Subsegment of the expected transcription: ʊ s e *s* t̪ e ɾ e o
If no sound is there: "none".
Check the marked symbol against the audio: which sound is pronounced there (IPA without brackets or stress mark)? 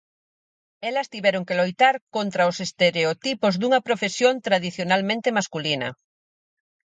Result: s